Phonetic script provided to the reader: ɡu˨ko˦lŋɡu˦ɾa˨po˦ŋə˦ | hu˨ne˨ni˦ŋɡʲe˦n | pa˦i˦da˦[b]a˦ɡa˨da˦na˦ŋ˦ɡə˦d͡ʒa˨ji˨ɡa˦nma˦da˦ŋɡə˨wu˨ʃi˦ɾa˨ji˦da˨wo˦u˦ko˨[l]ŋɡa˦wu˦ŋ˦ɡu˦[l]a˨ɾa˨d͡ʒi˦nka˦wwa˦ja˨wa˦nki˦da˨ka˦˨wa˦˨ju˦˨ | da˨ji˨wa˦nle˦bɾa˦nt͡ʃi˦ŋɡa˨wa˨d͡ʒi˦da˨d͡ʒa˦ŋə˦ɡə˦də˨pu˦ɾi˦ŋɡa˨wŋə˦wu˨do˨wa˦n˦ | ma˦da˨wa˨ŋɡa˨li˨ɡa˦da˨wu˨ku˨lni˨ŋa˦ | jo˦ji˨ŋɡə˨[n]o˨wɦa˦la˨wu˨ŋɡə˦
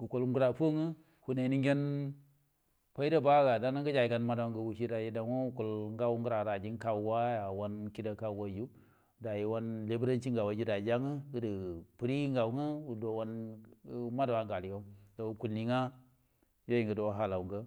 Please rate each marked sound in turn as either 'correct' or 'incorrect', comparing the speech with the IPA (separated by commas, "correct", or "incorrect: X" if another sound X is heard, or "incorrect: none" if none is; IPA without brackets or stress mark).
correct, correct, incorrect: ɾ, incorrect: d